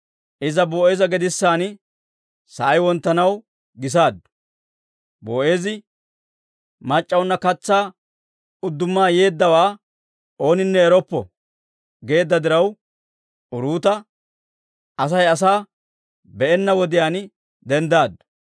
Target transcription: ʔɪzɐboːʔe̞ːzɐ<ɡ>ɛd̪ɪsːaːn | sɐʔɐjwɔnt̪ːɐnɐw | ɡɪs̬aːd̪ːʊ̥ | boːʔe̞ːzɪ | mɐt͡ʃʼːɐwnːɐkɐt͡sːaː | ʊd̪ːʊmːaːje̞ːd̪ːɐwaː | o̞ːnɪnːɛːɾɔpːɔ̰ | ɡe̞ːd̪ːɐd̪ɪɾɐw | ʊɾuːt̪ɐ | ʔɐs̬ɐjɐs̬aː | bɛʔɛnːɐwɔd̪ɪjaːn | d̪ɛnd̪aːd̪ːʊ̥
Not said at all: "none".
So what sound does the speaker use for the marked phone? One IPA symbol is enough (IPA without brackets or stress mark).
ɡ